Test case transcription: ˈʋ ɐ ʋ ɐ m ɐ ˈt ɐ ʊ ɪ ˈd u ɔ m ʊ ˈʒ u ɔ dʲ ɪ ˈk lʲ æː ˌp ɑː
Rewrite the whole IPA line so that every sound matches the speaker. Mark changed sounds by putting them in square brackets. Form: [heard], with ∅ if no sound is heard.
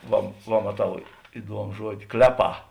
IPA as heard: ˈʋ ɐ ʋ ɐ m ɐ ˈt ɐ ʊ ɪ ˈd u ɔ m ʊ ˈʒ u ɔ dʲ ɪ ˈk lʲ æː ˌp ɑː

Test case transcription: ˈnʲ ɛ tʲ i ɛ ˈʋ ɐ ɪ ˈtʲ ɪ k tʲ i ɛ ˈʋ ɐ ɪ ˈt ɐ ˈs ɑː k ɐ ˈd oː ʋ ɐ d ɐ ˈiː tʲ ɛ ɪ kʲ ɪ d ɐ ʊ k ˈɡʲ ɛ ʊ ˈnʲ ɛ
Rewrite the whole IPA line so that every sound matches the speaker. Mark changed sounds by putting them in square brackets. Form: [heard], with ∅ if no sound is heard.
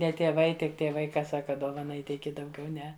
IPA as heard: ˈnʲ ɛ tʲ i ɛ ˈʋ ɐ ɪ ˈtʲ ɪ k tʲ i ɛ ˈʋ ɐ ɪ [ˈk] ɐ ˈs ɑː k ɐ ˈd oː ʋ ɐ [n] ɐ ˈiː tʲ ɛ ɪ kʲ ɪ d ɐ ʊ [∅] ˈɡʲ ɛ ʊ ˈnʲ ɛ

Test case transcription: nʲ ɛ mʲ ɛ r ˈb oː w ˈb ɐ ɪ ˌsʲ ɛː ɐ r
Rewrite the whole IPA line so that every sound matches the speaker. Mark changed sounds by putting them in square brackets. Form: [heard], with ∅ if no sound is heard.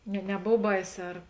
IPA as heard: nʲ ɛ [nʲ] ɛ [∅] ˈb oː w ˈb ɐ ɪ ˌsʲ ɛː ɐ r

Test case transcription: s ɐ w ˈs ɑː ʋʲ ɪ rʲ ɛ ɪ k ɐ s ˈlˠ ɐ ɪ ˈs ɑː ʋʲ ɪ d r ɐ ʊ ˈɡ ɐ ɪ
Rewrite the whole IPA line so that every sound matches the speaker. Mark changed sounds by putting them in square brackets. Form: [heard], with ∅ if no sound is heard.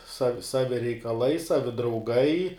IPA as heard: s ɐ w ˈs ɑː ʋʲ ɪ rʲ ɛ ɪ k ɐ [∅] ˈlˠ ɐ ɪ ˈs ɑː ʋʲ ɪ d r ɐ ʊ ˈɡ ɐ ɪ

